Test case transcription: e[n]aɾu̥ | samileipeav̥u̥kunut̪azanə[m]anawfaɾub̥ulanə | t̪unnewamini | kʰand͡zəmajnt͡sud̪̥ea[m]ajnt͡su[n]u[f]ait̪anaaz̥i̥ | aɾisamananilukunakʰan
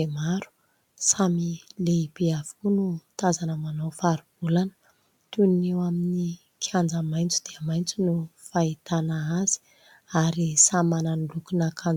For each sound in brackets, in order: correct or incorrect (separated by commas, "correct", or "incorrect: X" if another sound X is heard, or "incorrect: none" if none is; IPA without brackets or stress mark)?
incorrect: m, correct, correct, correct, correct